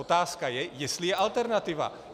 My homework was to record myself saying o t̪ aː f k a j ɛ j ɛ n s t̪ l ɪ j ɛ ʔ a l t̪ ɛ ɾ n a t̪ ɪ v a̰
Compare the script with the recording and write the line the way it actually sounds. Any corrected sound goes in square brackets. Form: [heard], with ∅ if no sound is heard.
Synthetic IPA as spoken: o t̪ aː [s] k a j ɛ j ɛ [∅] s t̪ l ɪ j ɛ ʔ a l t̪ ɛ ɾ n a t̪ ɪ v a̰